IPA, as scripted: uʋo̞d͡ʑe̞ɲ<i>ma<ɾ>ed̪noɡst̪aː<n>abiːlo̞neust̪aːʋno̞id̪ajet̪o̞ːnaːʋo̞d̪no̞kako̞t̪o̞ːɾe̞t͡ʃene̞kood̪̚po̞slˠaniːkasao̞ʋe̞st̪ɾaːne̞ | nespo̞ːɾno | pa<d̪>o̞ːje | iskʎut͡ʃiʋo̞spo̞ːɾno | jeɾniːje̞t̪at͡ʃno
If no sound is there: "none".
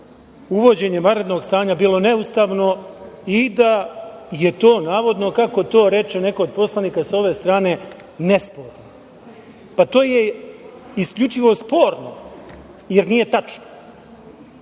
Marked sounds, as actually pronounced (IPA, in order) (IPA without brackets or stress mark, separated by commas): e, ɾ, ɲ, t̪